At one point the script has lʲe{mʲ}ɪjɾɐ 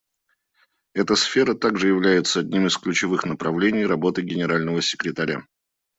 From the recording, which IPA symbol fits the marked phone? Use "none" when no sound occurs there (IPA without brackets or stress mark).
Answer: nʲ